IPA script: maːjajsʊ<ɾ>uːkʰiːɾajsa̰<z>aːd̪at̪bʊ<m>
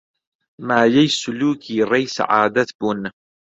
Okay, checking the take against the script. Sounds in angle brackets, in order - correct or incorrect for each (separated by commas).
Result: incorrect, incorrect, incorrect